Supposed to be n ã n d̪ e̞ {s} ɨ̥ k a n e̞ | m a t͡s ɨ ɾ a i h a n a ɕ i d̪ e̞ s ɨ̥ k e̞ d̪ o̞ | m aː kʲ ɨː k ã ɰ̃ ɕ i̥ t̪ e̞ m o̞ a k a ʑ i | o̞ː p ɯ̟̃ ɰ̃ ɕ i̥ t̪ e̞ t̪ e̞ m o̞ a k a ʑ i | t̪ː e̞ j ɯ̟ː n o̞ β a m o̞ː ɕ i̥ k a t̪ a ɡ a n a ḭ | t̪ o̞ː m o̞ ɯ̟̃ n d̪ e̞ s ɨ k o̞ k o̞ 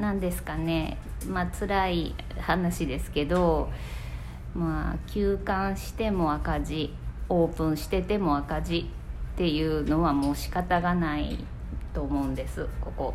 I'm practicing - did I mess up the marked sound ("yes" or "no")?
no